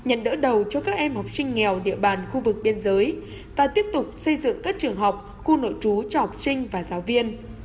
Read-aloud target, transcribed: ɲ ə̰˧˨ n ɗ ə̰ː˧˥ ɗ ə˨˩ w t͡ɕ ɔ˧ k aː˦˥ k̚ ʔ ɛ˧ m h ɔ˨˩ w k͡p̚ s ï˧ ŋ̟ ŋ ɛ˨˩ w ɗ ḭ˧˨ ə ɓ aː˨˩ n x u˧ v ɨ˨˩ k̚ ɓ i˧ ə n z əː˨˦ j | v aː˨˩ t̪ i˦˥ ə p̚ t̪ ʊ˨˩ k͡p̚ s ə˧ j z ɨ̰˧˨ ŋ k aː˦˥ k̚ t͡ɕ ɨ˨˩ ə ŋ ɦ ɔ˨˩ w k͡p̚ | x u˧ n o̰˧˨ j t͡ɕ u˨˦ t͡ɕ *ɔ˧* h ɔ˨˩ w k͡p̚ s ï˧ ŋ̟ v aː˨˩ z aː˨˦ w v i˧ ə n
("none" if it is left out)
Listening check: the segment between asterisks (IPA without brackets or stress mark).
ɔ˧